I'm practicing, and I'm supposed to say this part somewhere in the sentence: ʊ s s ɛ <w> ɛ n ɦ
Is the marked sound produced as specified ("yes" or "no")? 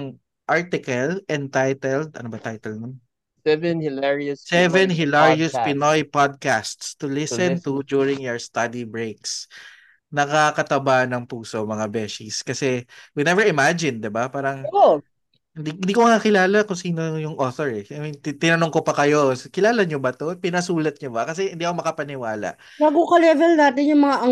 no